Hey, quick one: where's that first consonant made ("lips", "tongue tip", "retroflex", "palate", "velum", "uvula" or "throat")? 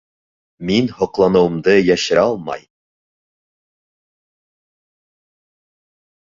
lips